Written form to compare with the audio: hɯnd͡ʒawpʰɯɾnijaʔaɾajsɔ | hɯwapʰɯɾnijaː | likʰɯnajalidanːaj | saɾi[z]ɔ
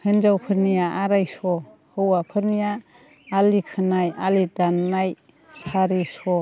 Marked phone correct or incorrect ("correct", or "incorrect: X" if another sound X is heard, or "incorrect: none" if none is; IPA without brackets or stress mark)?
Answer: incorrect: s